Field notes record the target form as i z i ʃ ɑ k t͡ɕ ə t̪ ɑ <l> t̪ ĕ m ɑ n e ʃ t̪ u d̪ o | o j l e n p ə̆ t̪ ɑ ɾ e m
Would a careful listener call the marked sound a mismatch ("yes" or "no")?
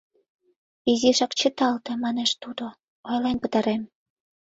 no